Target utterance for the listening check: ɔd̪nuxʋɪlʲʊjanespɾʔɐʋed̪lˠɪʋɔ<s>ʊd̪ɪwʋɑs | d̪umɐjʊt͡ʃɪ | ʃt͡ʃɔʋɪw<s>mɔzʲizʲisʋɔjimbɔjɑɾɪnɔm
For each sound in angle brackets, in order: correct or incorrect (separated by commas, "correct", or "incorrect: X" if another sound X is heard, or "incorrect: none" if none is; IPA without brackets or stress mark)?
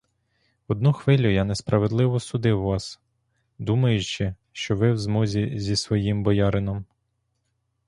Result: correct, incorrect: z